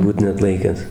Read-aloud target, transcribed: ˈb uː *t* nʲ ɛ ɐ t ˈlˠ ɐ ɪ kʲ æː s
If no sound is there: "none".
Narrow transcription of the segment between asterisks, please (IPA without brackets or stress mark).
t